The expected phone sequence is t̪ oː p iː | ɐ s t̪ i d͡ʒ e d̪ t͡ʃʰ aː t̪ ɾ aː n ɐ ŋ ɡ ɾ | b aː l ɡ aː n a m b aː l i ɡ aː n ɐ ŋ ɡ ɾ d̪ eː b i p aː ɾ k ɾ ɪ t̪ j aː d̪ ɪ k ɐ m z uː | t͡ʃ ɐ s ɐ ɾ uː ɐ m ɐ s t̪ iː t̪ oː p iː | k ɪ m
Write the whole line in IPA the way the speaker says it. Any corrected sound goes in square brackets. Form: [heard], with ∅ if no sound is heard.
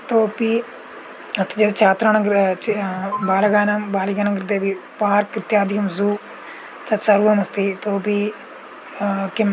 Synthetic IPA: t̪ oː p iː | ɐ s t̪ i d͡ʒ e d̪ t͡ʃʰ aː t̪ ɾ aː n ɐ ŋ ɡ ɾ | b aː l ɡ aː n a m b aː l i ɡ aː n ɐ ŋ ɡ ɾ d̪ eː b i p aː ɾ k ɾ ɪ t̪ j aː d̪ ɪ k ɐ m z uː | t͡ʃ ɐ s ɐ ɾ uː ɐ m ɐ s t̪ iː t̪ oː p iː | k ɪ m